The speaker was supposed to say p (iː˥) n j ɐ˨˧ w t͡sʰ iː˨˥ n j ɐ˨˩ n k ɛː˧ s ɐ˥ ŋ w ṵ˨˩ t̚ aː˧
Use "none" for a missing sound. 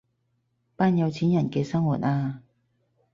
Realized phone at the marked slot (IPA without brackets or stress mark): aː˥